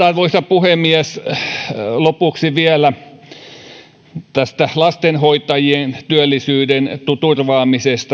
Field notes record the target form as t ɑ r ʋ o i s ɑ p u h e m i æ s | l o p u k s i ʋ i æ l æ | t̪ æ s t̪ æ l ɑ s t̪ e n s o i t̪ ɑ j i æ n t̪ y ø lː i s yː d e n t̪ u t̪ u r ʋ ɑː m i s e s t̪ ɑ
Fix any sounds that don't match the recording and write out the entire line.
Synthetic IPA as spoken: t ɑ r ʋ o i s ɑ p u h e m i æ s | l o p u k s i ʋ i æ l æ | t̪ æ s t̪ æ l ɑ s t̪ e n h o i t̪ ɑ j i e n t̪ y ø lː i s yː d e n t̪ u t̪ u r ʋ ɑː m i s e s t̪ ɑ

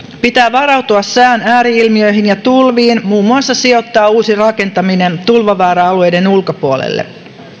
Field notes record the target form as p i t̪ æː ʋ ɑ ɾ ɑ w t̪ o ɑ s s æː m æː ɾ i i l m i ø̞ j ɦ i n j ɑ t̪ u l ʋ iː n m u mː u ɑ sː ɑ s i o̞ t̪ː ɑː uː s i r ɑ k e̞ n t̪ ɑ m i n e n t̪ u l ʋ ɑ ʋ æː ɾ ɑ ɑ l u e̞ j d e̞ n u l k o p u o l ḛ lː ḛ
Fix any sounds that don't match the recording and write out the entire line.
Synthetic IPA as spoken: p i t̪ æː ʋ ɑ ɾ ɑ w t̪ u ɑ s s æː n æː ɾ i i l m i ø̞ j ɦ i n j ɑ t̪ u l ʋ iː n m uː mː u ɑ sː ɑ s i o̞ t̪ː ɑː uː s i r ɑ k e̞ n t̪ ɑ m i n e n t̪ u l ʋ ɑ ʋ æː ɾ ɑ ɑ l u e̞ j d e̞ n u l k o p u o l ḛ lː ḛ

